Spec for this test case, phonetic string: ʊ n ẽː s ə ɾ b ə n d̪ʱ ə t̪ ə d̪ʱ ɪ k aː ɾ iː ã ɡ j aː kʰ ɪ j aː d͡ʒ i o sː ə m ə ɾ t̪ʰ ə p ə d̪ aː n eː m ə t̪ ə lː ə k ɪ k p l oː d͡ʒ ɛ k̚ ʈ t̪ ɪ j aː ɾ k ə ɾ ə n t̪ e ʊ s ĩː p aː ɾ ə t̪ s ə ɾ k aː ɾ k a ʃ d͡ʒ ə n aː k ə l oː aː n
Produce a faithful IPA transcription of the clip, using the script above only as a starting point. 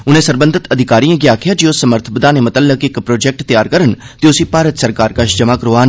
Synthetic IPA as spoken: ʊ n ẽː s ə ɾ b ə n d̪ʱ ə t̪ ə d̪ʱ ɪ k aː ɾ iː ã ɡ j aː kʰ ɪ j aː d͡ʒ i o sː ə m ə ɾ t̪ʰ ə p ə d̪ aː n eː m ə t̪ ə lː ə k ɪ k p ɾ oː d͡ʒ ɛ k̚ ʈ t̪ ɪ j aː ɾ k ə ɾ ə n t̪ e ʊ s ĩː p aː ɾ ə t̪ s ə ɾ k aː ɾ k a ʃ d͡ʒ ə m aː k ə ɾ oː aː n